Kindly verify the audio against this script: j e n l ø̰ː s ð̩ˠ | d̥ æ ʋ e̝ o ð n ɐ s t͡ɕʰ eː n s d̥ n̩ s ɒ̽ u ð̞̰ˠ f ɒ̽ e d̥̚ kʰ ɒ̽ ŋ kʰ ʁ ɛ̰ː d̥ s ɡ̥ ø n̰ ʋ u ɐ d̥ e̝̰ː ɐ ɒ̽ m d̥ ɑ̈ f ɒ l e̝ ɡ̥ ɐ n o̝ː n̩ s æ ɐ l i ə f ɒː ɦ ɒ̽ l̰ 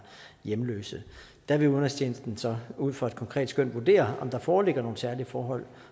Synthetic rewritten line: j e m l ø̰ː s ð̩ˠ | d̥ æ ʋ e̝ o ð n ɐ s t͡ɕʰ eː n s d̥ n̩ s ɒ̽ u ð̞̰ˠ f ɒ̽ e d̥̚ kʰ ɒ̽ ŋ kʰ ʁ ɛ̰ː d̥ s ɡ̥ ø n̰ ʋ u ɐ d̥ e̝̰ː ɐ ɒ̽ m d̥ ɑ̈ f ɒː l e̝ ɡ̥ ɐ n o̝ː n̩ s æ ɐ l i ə f ɒː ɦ ɒ̽ l̰